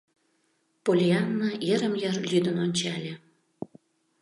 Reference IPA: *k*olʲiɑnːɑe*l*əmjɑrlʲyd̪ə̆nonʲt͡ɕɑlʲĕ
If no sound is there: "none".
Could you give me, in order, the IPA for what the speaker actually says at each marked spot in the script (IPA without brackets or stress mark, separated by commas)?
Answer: p, ɾ